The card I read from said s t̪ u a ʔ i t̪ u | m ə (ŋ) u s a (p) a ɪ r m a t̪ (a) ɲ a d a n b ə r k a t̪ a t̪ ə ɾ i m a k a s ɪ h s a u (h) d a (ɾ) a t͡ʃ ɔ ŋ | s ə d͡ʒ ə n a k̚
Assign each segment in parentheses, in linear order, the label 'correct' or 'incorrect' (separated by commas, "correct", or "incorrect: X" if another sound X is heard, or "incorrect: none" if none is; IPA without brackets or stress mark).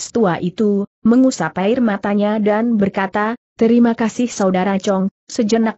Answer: correct, correct, correct, incorrect: none, correct